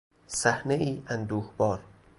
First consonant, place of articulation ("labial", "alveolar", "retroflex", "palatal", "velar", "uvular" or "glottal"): alveolar